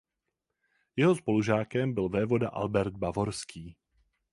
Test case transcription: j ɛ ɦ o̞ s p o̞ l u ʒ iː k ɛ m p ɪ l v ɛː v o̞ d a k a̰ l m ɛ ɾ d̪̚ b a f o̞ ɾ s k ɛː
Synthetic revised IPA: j ɛ ɦ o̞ s p o̞ l u ʒ aː k ɛ m b ɪ l v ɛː v o̞ d a ʔ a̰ l b ɛ ɾ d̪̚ b a v o̞ ɾ s k iː